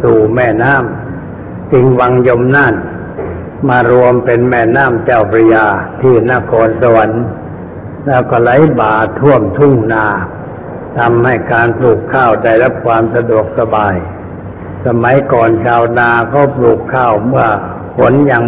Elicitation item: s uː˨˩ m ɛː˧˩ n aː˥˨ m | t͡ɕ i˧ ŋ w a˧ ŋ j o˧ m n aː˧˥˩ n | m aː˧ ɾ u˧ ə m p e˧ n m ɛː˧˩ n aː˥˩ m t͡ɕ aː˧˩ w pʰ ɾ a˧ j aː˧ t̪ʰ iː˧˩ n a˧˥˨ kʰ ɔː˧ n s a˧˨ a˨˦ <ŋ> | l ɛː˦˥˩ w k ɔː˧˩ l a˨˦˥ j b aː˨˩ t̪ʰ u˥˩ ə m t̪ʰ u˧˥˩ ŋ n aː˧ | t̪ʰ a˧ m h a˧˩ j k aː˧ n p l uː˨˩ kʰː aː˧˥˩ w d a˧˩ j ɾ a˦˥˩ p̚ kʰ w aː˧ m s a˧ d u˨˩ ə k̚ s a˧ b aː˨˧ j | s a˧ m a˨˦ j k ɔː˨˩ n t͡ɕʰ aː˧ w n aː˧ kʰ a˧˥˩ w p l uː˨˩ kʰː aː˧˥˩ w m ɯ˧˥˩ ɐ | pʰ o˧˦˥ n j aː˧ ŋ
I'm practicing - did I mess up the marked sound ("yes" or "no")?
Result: yes